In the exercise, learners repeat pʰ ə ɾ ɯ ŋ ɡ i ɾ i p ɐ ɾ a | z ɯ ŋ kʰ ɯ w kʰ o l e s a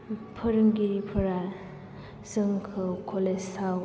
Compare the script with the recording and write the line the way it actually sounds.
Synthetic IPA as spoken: pʰ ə ɾ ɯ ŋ ɡ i ɾ i pʰ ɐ ɾ a | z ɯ ŋ kʰ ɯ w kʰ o l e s a

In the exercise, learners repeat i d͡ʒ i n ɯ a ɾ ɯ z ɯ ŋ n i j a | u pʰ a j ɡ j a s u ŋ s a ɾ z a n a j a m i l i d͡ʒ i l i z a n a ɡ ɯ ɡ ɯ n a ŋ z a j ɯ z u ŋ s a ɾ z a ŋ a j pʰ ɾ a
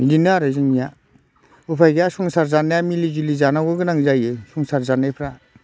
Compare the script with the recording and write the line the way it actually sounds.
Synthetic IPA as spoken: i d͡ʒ i n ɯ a ɾ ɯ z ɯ ŋ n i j a | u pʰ a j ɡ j a s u ŋ s a ɾ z a n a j a m i l i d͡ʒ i l i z a n a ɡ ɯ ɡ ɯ n a ŋ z a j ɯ s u ŋ s a ɾ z a n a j pʰ ɾ a

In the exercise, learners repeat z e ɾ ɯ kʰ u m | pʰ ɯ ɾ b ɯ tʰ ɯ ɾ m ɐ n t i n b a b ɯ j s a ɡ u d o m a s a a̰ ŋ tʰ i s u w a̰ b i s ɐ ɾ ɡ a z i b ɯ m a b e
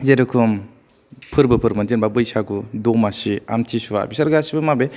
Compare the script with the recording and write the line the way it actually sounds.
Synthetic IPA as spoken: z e ɾ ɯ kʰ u m | pʰ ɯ ɾ b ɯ pʰ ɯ ɾ m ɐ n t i n b a b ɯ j s a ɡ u d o m a s i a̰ m tʰ i s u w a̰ b i s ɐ ɾ ɡ a s i b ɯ m a b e

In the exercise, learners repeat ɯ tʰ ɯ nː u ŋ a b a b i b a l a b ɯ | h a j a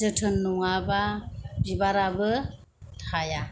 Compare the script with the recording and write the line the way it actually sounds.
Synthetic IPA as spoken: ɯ tʰ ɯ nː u ŋ a b a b i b a ɾ a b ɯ | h a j a

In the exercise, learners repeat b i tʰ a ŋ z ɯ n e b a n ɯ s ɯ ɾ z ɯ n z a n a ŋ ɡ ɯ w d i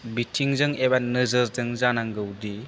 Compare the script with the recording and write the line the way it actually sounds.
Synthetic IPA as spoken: b i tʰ i ŋ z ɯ ŋ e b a n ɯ z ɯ ɾ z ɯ ŋ z a n a ŋ ɡ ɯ w d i

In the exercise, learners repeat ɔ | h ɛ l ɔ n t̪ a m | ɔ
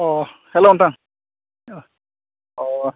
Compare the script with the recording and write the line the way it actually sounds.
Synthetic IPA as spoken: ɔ | h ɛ l o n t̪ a ŋ | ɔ

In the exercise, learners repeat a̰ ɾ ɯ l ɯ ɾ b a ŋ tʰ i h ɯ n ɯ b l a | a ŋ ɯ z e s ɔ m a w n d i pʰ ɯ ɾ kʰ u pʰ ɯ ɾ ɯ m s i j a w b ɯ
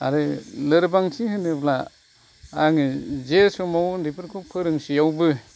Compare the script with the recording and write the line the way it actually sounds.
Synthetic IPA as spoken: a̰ ɾ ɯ l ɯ ɾ b a ŋ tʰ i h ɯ n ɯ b l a | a ŋ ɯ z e s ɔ m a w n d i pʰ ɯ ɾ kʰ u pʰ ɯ ɾ ɯ ŋ s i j a w b ɯ

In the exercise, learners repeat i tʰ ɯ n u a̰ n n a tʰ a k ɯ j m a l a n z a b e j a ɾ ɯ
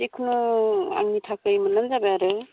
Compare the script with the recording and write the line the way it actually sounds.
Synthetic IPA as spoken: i kʰ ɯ n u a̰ ŋ n i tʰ a k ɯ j m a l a n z a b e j a ɾ ɯ

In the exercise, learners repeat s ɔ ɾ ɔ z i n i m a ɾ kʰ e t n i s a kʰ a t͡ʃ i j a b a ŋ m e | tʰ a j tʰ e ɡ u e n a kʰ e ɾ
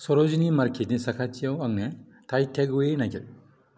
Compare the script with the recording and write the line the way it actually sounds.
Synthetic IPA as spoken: s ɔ ɾ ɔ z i n i m a ɾ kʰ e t n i s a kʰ a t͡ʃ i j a w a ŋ n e | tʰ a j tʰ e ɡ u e n a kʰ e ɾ

